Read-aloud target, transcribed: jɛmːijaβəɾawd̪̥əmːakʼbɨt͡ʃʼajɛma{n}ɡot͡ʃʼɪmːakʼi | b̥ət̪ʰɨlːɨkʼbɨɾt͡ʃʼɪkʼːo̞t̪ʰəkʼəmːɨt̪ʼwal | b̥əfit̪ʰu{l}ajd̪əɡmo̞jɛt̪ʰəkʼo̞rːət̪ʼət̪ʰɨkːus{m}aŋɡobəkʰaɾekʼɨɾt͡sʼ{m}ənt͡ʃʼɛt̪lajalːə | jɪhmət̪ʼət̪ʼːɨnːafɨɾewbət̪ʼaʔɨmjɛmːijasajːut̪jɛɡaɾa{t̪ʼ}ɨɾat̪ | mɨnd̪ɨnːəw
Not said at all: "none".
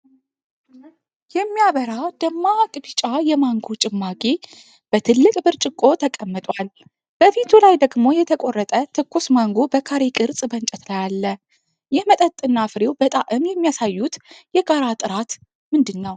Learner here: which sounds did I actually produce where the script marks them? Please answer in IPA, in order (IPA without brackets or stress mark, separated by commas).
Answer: ŋ, l, m, b, t̪ʼ